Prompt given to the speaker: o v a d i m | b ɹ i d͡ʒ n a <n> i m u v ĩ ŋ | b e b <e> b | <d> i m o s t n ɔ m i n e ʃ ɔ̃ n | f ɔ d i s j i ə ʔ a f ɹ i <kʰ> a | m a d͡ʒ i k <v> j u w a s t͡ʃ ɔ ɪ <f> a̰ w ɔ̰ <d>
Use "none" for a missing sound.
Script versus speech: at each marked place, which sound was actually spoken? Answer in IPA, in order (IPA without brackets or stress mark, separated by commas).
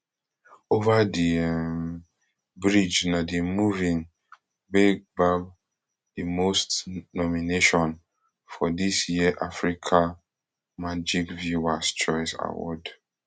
d, a, d, kʰ, v, s, d